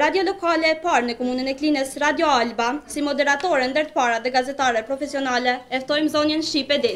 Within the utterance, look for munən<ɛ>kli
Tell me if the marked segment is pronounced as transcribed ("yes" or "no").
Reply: yes